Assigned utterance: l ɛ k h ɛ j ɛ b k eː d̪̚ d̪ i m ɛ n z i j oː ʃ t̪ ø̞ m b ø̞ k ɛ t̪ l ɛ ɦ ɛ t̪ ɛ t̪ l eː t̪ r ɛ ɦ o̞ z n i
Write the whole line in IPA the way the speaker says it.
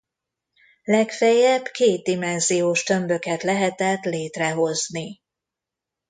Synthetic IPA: l ɛ k f ɛ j ɛ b k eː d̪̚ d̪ i m ɛ n z i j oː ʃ t̪ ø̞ m b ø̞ k ɛ t̪ l ɛ ɦ ɛ t̪ ɛ t̪ l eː t̪ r ɛ ɦ o̞ z n i